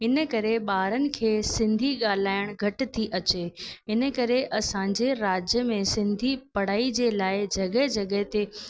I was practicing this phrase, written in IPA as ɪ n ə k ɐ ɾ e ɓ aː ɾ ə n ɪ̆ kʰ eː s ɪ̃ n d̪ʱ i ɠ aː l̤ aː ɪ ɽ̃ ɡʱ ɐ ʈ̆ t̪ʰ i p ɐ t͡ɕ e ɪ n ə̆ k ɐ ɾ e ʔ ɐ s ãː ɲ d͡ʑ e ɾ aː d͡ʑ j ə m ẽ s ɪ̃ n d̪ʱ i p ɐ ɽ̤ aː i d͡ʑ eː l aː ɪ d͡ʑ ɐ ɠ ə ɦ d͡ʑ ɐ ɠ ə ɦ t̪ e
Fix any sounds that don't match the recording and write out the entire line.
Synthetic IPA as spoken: ɪ n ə k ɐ ɾ e ɓ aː ɾ ə n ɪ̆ kʰ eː s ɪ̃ n d̪ʱ i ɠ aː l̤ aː ɪ ɽ̃ ɡʱ ɐ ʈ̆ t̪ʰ i ʔ ɐ t͡ɕ e ɪ n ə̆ k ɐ ɾ e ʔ ɐ s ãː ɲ d͡ʑ e ɾ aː d͡ʑ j ə m ẽ s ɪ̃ n d̪ʱ i p ɐ ɽ̤ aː i d͡ʑ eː l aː ɪ d͡ʑ ɐ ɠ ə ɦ d͡ʑ ɐ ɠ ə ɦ t̪ e